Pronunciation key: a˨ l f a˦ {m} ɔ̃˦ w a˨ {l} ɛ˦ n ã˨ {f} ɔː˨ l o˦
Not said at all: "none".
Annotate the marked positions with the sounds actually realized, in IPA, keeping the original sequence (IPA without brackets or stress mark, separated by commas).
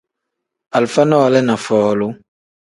n, l, f